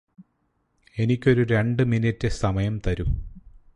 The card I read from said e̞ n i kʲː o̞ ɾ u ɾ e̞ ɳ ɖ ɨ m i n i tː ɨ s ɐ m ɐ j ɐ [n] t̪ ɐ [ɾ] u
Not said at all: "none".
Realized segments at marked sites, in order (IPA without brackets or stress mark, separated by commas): m, ɾ